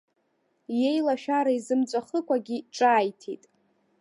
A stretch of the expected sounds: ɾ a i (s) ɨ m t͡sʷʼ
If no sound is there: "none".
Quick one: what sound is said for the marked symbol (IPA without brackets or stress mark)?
z